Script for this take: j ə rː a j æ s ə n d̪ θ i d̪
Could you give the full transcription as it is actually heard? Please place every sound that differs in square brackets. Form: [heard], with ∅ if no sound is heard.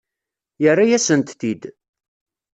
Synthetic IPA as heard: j ə rː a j æ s ə n [t̪] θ i d̪